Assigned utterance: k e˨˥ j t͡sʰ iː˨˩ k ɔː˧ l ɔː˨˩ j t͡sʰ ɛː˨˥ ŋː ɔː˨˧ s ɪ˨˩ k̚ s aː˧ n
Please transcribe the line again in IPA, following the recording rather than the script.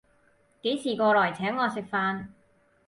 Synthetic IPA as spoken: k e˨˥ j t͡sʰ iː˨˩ k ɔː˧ l ɔː˨˩ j t͡sʰ ɛː˨˥ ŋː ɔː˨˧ s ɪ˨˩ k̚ f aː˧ n